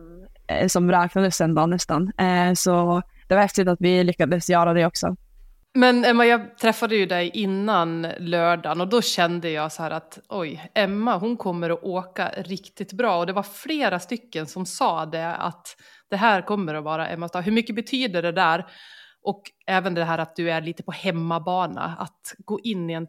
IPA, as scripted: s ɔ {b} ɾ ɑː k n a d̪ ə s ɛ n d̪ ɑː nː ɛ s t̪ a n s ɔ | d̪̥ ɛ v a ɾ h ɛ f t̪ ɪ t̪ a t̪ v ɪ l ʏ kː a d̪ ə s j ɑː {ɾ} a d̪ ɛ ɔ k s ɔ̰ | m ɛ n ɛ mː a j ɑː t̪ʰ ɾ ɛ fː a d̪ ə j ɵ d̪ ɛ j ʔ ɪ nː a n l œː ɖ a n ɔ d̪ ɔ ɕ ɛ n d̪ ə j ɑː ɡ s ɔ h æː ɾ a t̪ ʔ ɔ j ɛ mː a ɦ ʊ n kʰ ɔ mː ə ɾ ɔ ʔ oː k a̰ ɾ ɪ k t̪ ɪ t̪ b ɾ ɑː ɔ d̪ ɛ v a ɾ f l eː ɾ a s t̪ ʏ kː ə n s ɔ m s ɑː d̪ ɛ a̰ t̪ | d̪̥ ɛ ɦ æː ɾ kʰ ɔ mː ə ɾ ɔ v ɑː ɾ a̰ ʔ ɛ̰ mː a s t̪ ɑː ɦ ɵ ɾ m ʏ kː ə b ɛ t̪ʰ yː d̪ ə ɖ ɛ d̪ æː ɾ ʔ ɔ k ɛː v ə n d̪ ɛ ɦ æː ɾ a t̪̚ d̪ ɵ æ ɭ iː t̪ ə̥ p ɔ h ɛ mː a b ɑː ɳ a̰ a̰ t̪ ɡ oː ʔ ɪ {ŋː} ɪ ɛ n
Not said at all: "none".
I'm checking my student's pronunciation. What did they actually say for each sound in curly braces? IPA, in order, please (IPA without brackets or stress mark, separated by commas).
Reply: m, ɾ, nː